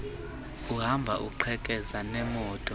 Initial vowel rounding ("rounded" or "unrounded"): rounded